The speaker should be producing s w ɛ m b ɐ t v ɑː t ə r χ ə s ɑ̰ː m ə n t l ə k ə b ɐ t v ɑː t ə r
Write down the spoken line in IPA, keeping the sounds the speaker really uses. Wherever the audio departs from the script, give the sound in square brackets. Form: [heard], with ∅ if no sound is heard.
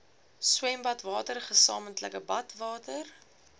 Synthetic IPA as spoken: s w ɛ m b ɐ t v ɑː t ə r χ ə s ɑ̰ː m ə n t l ə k ə b ɐ t v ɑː t ə r

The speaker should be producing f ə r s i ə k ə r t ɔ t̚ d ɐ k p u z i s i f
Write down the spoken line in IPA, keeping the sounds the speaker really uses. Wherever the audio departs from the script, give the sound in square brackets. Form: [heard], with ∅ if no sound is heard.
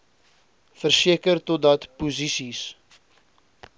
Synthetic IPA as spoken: f ə r s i ə k ə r t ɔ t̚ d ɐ [t] p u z i s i [s]

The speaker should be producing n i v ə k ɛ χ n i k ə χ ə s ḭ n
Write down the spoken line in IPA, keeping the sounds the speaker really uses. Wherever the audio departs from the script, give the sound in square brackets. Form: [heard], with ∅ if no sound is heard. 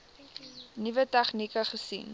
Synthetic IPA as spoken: n i v ə [t] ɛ χ n i k ə χ ə s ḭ n

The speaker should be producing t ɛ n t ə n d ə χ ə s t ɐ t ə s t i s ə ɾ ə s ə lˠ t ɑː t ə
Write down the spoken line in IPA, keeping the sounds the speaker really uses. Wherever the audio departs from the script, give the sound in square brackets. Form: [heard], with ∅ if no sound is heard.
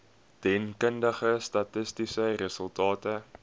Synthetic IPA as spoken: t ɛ n [k] ə n d ə χ ə s t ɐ t ə s t i s ə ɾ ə s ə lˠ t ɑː t ə

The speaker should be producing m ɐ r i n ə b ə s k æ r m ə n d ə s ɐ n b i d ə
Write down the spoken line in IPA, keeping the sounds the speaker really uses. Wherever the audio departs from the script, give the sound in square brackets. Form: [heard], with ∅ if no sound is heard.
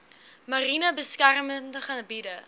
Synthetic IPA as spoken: m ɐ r i n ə b ə s k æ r m ə n d ə [χ] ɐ n b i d ə

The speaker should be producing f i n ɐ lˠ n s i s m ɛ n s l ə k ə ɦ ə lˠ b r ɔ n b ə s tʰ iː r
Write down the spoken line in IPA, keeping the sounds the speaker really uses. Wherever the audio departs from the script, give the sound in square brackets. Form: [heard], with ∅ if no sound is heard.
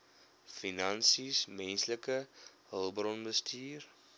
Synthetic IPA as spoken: f i n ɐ [∅] n s i s m ɛ n s l ə k ə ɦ ə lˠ b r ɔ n b ə s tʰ iː r

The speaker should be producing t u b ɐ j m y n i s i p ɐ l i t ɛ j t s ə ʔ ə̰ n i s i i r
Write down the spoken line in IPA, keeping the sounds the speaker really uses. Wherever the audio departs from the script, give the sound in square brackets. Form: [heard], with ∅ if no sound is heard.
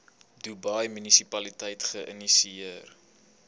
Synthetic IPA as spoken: [d] u b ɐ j m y n i s i p ɐ l i t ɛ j t [χ] ə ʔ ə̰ n i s i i r

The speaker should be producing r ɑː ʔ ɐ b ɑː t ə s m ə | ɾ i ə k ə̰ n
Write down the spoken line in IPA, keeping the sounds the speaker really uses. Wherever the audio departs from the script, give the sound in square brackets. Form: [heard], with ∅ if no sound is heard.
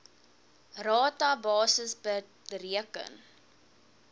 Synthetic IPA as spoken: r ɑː [t] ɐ b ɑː [s] ə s [b] ə | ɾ i ə k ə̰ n

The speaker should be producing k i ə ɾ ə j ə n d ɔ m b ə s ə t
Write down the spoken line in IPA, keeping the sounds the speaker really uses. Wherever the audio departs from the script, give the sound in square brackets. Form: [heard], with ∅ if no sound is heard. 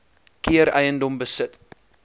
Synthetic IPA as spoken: k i ə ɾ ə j ə n d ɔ m b ə s ə t

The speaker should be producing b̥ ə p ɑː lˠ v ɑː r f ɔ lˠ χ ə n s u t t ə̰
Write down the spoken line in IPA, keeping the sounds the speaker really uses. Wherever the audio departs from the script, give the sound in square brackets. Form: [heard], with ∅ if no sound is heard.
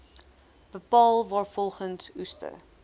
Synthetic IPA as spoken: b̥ ə p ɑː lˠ v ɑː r f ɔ lˠ χ ə n s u [s] t ə̰

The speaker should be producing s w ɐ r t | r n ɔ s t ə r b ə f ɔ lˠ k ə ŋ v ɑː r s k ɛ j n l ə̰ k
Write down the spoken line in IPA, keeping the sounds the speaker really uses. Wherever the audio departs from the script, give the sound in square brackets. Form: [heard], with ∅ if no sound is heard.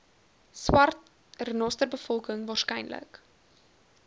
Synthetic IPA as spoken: s w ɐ r t | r n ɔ s t ə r b ə f ɔ lˠ k ə ŋ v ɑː r s k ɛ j n l ə̰ k

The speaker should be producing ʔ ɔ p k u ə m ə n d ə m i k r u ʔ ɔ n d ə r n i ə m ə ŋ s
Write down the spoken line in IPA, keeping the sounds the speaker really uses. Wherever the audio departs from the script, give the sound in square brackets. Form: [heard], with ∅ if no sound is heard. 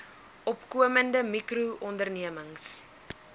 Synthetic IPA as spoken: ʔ ɔ p k u ə m ə n d ə m i k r u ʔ ɔ n d ə r n i ə m ə ŋ s

